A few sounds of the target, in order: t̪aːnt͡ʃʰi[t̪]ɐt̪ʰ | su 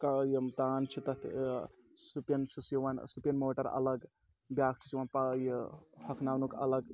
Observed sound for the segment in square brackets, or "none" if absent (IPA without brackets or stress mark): t̪